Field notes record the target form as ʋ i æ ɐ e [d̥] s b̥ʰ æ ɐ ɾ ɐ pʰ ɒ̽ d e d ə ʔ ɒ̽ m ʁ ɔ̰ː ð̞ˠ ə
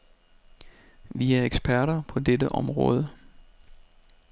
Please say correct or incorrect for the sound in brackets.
incorrect